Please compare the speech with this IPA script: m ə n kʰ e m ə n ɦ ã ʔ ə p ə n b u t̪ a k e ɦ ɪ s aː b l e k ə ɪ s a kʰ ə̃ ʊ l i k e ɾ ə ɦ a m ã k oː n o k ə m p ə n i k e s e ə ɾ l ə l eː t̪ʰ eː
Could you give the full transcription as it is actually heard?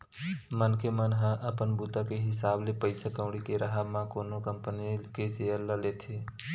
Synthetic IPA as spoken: m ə n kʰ e m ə n ɦ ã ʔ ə p ə n b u t̪ a k e ɦ ɪ s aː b l e p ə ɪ s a k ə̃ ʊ ɽ i k e ɾ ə ɦ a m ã k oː n o k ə m p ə n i k e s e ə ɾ l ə l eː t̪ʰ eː